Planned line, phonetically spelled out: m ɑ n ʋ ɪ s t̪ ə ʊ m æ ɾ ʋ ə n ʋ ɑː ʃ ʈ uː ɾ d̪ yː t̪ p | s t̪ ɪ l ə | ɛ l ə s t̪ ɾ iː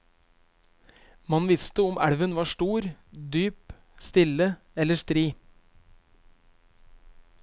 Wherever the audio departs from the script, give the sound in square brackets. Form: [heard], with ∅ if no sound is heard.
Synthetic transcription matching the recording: m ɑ n ʋ ɪ s t̪ ə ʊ m æ [ɽ] ʋ ə n ʋ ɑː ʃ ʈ uː ɾ d̪ yː [∅] p | s t̪ ɪ l ə | ɛ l ə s t̪ ɾ iː